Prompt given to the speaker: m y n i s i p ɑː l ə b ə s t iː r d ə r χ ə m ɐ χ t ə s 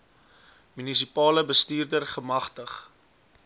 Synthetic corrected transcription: m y n i s i p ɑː l ə b ə s t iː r d ə r χ ə m ɐ χ t ə χ

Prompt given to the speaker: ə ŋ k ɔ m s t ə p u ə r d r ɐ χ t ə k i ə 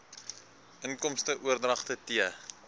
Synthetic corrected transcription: ə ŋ k ɔ m s t ə ʔ u ə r d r ɐ χ t ə t i ə

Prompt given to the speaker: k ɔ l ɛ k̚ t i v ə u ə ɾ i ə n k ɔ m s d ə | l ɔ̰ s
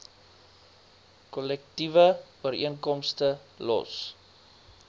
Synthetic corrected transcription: k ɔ l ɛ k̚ t i v ə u ə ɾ i ə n k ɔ m s t ə | l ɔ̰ s

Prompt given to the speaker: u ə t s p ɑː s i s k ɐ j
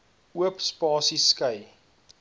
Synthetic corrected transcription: u ə p s p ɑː s i s k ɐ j

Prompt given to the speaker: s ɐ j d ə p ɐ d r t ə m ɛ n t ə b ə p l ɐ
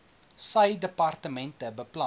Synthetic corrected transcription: s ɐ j d ə p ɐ r t ə m ɛ n t ə b ə p l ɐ

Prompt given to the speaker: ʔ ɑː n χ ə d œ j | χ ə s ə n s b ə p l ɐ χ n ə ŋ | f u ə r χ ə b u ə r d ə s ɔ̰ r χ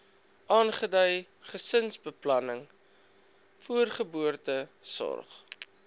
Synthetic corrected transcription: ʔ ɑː n χ ə d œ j | χ ə s ə n s b ə p l ɐ n ə ŋ | f u ə r χ ə b u ə r t ə s ɔ̰ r χ

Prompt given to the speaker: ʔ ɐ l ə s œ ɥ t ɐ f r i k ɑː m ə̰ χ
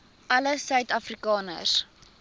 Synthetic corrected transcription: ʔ ɐ l ə s œ ɥ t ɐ f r i k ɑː n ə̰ s

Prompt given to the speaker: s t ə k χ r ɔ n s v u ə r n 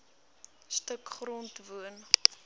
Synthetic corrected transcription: s t ə k χ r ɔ n t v u ə n

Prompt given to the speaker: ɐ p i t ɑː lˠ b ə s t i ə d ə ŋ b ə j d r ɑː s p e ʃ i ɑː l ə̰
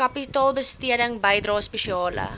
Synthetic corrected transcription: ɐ p i t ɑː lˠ b ə s t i ə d ə ŋ b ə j d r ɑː s p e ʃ i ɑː l ə̰

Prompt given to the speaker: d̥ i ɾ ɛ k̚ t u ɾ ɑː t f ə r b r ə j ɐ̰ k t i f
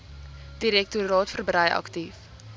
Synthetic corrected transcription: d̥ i ɾ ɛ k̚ t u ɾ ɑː t f ə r b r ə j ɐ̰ k t i f

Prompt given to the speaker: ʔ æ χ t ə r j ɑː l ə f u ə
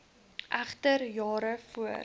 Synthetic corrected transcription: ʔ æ χ t ə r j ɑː ɾ ə f u ə

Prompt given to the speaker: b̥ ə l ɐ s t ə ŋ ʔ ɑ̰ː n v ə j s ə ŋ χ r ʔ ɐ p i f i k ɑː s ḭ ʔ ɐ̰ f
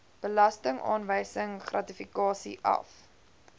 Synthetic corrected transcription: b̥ ə l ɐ s t ə ŋ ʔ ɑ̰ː n v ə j s ə ŋ χ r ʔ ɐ t i f i k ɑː s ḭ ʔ ɐ̰ f

